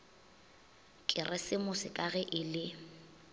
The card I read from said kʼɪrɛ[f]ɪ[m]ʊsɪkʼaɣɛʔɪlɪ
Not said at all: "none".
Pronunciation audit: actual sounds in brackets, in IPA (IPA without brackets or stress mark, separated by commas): s, m